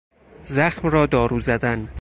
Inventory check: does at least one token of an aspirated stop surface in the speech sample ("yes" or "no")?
no